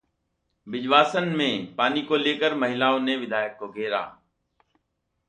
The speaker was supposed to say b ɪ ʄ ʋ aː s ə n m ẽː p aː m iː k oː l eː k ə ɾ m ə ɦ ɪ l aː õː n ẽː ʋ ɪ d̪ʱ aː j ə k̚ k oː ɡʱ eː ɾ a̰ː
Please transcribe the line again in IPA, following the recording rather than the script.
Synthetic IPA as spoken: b ɪ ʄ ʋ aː s ə n m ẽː p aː n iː k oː l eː k ə ɾ m ə ɦ ɪ l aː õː n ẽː ʋ ɪ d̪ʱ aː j ə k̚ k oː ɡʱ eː ɾ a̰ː

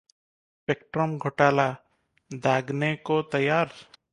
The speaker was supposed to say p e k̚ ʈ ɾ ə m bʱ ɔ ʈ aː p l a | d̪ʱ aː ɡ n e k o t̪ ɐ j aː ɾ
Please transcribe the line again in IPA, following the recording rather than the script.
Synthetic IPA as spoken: p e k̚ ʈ ɾ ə m ɡʱ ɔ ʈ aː l a | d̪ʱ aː ɡ n e k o t̪ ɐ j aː ɾ

